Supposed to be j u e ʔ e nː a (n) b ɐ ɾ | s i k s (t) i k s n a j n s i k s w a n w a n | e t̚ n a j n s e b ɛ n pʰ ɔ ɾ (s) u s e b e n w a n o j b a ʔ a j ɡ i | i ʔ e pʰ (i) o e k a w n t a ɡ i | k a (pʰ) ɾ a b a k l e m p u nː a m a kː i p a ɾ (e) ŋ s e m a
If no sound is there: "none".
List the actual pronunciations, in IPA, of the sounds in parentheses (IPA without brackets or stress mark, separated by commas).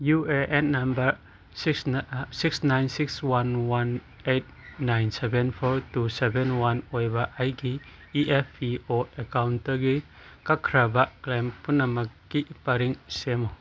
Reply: m, s, t, i, kʰ, i